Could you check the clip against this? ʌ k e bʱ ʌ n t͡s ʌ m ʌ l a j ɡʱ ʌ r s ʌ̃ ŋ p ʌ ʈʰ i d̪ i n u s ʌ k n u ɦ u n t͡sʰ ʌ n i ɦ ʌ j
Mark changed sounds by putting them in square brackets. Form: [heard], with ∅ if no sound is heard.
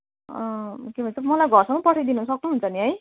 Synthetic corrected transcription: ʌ k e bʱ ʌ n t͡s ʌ m ʌ l a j ɡʱ ʌ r s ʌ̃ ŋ p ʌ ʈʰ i d̪ i n u s ʌ k n u ɦ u n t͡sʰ ʌ n i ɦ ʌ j

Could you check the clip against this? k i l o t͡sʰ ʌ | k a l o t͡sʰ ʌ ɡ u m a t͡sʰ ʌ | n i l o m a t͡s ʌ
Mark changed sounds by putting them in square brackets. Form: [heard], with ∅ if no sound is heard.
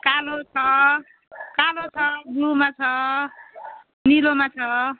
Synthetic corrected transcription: k [a] l o t͡sʰ ʌ | k a l o t͡sʰ ʌ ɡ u m a t͡sʰ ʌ | n i l o m a [t͡sʰ] ʌ

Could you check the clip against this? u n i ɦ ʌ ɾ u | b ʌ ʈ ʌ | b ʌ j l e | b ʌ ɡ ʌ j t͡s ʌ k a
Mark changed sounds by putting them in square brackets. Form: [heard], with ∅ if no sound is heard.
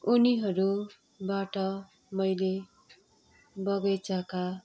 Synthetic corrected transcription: u n i ɦ ʌ ɾ u | b [a] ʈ ʌ | [m] ʌ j l e | b ʌ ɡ ʌ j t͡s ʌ k a

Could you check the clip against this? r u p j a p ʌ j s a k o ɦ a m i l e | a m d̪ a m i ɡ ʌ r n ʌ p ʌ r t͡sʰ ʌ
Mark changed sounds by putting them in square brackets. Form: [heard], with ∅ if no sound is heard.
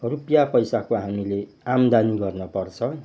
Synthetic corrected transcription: r u p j a p ʌ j s a k o ɦ a m i l e | a m d̪ a [n] i ɡ ʌ r n ʌ p ʌ r t͡sʰ ʌ

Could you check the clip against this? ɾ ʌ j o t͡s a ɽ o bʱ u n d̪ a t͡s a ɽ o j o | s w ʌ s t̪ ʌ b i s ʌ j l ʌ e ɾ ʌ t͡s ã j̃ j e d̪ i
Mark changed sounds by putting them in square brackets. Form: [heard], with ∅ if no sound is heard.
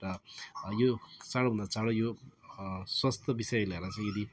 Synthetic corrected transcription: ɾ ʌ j o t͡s a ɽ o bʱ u n d̪ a t͡s a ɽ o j o | s w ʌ s t̪ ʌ b i s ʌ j l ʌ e ɾ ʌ t͡s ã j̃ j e d̪ i

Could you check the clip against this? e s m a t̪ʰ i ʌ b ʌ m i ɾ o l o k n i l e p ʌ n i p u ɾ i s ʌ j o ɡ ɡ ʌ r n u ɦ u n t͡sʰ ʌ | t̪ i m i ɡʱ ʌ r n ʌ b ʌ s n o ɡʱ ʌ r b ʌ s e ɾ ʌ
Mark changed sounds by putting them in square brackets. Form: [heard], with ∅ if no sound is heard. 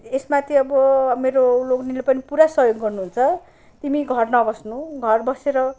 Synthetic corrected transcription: e s m a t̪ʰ i ʌ b ʌ m [e] ɾ o l o k n i l e p ʌ n i p u ɾ [a] s ʌ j o ɡ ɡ ʌ r n u ɦ u n t͡sʰ ʌ | t̪ i m i ɡʱ ʌ r n ʌ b ʌ s n [u] ɡʱ ʌ r b ʌ s e ɾ ʌ

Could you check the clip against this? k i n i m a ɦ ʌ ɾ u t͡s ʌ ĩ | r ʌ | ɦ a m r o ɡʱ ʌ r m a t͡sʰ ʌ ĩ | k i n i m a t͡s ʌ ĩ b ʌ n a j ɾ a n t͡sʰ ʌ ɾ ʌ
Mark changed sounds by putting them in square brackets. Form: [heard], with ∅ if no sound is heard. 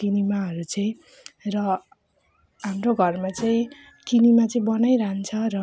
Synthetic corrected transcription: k i n i m a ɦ ʌ ɾ u t͡s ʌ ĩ | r ʌ | ɦ a m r o ɡʱ ʌ r m a [t͡s] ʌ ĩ | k i n i m a t͡s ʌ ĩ b ʌ n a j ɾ a n t͡sʰ ʌ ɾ ʌ

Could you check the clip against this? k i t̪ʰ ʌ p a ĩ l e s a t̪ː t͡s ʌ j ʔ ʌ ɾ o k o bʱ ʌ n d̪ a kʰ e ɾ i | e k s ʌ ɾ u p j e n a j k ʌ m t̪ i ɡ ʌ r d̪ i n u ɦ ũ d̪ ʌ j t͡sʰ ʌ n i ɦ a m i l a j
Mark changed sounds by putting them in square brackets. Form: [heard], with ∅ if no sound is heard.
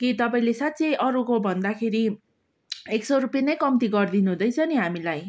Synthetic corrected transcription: k i [t̪] ʌ p a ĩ l e s a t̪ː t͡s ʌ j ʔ ʌ ɾ [u] k o bʱ ʌ n d̪ a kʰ e ɾ i | e k s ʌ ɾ u p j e n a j k ʌ m t̪ i ɡ ʌ r d̪ i n u ɦ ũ d̪ ʌ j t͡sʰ ʌ n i ɦ a m i l a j

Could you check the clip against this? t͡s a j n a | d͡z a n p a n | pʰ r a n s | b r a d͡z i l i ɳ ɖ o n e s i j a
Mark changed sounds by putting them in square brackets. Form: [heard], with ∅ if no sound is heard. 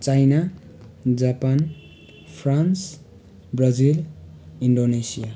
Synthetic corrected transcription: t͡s a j n a | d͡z a [∅] p a n | pʰ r a n s | b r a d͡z i l i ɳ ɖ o n e s i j a

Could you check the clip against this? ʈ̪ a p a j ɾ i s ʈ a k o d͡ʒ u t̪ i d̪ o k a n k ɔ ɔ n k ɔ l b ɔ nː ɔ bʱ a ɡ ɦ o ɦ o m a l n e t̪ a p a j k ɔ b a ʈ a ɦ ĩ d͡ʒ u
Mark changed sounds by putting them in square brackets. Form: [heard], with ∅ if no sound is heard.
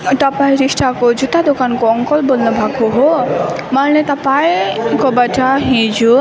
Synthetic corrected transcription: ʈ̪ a p a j ɾ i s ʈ a k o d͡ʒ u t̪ [a] d̪ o k a n k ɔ ɔ [ŋ] k ɔ l b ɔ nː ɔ bʱ a ɡ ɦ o ɦ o m a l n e t̪ a p a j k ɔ b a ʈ a ɦ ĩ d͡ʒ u

